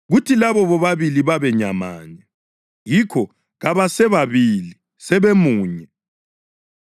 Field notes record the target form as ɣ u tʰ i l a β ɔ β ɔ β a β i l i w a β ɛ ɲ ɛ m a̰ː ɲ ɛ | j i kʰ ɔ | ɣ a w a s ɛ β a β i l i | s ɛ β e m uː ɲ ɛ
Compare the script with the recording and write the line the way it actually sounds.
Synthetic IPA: ɣ u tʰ i l a β ɔ β ɔ β a β i l i β a β ɛ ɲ a m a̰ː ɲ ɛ | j i kʰ ɔ | ɣ a β a s ɛ β a β i l i | s ɛ β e m uː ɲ ɛ